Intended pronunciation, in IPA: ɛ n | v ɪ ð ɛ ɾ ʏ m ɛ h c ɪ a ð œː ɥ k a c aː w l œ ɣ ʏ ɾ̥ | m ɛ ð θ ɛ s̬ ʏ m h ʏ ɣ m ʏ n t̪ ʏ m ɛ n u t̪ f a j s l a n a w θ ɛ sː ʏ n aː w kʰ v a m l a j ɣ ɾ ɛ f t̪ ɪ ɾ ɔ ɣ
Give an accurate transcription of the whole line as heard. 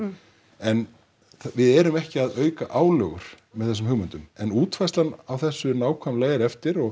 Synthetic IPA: ɛ n | v ɪ ð ɛ ɾ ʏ m ɛ h c ɪ a ð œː ɥ k a ʔ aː w l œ ɣ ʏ ɾ̥ | m ɛ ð θ ɛ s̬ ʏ m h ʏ ɣ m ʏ n t̪ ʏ m ɛ n uː t̪ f a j s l a n a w θ ɛ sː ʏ n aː w kʰ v a m l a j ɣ ɾ ɛ f t̪ ɪ ɾ ɔ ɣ